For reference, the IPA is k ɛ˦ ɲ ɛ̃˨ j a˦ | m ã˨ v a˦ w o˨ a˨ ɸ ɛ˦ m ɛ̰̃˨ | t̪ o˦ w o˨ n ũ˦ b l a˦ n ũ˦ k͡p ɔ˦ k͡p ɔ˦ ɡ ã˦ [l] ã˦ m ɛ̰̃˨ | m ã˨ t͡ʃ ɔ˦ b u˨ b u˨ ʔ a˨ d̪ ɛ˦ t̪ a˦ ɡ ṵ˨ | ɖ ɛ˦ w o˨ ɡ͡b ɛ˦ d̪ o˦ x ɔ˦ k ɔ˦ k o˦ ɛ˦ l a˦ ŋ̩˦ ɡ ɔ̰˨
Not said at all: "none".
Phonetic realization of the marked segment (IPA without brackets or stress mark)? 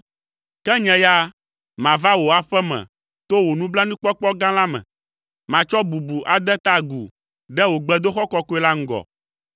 l